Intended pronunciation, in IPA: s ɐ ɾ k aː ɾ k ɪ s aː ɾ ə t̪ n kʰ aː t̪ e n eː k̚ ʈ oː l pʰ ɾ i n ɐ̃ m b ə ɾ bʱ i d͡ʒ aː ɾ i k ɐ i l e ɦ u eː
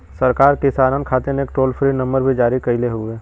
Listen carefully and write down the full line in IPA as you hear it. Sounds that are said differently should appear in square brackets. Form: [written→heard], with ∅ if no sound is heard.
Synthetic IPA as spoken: s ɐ ɾ k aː ɾ k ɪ s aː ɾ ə [t̪→∅] n kʰ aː t̪ e n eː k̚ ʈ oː l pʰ ɾ i n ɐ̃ m b ə ɾ bʱ i d͡ʒ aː ɾ i k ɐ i l e ɦ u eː